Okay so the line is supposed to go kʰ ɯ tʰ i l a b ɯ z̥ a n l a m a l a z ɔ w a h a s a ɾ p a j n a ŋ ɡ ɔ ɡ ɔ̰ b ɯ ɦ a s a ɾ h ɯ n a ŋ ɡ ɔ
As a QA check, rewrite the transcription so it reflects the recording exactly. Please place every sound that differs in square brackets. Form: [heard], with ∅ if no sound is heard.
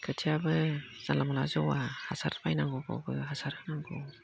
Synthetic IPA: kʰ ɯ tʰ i [∅] a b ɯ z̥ a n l a m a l a z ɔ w a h a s a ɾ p a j n a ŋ ɡ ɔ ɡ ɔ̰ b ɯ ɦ a s a ɾ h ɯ n a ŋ ɡ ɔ